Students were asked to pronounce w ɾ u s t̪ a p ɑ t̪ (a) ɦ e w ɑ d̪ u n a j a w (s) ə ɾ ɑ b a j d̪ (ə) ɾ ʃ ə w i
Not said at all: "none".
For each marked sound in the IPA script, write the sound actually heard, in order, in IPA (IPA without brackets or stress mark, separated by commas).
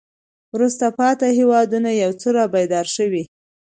a, t͡s, ɑ